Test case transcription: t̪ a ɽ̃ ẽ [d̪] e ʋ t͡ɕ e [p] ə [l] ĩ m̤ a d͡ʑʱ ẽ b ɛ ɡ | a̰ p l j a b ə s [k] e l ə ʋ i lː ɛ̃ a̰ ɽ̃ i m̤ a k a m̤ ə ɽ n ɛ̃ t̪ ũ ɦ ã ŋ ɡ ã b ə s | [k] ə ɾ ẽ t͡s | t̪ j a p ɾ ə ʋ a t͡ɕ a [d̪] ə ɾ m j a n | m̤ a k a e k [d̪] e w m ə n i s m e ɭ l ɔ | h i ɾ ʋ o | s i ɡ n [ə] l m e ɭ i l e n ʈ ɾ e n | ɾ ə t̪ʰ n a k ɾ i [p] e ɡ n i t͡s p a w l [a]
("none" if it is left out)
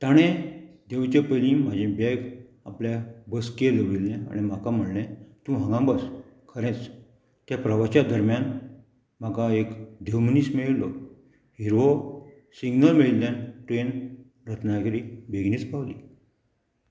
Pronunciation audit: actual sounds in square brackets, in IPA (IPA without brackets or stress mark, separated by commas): d̪, p, l, k, kʰ, d̪, d̪, ə, b, i